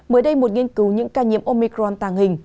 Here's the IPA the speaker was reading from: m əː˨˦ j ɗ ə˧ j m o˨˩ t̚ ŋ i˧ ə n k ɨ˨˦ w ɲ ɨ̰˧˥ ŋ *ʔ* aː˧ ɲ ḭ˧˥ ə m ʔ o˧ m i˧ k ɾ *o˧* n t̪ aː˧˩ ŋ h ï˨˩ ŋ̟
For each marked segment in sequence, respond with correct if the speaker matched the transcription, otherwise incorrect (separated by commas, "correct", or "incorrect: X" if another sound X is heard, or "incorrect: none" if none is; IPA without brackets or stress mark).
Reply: incorrect: k, incorrect: ɔ˧